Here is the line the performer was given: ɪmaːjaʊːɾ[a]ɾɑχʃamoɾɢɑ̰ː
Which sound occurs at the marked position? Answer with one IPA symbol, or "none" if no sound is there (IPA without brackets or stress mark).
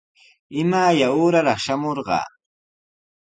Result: a